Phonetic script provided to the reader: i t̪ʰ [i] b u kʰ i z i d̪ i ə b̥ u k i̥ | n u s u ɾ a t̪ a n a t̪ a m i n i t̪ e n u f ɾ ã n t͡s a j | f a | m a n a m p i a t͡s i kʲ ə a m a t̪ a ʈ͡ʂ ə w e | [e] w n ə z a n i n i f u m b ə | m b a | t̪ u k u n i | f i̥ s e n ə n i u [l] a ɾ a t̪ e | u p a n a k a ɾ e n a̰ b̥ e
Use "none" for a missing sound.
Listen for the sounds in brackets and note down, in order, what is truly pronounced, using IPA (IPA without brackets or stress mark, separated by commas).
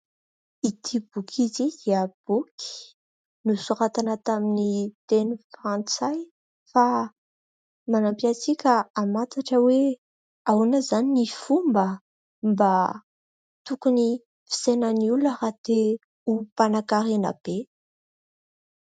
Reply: i, a, l